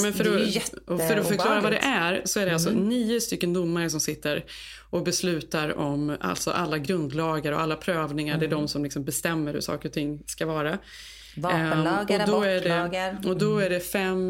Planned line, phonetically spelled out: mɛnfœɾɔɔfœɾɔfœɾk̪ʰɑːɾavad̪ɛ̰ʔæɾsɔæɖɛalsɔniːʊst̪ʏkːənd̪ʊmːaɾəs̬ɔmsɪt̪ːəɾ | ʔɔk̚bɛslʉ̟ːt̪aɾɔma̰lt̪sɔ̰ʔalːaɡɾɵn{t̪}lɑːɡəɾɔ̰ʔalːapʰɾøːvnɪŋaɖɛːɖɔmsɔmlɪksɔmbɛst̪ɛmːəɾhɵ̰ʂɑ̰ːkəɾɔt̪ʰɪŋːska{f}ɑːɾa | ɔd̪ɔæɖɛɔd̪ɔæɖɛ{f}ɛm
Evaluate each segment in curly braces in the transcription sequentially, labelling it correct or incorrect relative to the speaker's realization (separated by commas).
incorrect, incorrect, correct